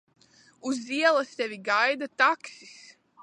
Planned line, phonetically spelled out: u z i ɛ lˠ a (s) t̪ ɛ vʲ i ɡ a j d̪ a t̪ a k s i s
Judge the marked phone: correct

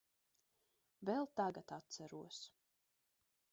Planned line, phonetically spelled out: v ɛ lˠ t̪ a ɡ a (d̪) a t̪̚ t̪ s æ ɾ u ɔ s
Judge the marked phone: incorrect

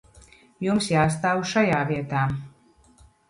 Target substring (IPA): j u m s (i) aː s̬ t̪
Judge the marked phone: incorrect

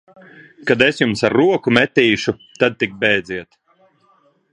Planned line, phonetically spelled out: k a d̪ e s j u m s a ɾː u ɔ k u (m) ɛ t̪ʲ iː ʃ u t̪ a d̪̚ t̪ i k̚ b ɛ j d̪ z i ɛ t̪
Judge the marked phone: correct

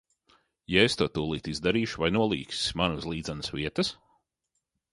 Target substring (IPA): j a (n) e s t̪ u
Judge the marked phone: incorrect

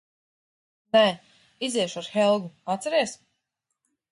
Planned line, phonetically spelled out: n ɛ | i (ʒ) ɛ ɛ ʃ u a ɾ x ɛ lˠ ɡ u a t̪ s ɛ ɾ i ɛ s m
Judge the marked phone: incorrect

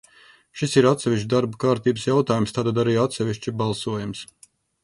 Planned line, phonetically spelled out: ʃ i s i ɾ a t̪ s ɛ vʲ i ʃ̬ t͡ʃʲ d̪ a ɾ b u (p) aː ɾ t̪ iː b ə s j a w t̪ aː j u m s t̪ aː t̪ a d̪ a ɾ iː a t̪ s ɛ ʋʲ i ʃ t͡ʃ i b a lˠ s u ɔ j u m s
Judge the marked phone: incorrect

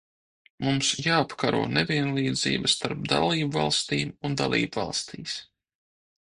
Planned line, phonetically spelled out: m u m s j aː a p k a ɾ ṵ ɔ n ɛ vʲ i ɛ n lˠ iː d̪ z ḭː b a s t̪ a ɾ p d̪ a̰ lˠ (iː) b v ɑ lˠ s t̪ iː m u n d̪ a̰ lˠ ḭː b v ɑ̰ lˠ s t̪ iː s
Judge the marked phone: correct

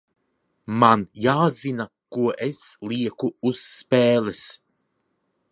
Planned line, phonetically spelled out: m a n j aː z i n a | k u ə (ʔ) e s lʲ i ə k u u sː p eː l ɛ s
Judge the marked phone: correct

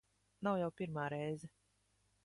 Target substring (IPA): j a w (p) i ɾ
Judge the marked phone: correct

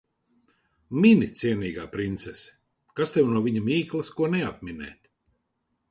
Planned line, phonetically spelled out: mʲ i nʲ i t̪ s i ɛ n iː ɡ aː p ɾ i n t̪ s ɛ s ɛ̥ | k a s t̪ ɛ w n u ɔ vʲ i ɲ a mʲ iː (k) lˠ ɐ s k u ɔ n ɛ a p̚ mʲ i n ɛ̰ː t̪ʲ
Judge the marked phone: correct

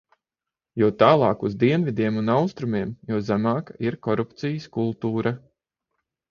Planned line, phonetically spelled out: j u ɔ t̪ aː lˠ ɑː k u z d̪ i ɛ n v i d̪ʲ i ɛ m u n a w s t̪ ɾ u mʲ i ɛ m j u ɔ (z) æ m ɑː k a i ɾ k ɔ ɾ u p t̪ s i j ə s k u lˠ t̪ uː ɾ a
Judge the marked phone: correct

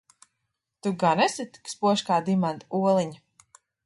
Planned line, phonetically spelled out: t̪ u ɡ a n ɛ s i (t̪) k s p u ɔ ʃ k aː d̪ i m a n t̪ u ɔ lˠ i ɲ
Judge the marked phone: correct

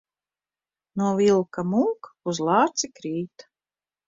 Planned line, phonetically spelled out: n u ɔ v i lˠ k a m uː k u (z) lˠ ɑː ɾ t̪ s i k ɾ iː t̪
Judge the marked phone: correct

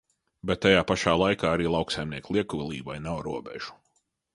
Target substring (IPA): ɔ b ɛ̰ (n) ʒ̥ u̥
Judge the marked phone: incorrect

